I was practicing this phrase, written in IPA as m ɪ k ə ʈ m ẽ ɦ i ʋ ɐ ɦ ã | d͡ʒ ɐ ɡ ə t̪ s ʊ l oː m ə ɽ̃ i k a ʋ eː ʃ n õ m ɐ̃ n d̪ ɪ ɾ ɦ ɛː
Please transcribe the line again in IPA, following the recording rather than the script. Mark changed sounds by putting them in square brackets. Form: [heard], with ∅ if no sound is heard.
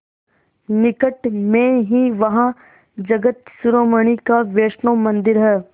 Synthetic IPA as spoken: [n] ɪ k ə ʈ m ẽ ɦ i ʋ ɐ ɦ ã | d͡ʒ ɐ ɡ ə t̪ s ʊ [ɾ] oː m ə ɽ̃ i k a ʋ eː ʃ n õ m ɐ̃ n d̪ ɪ ɾ ɦ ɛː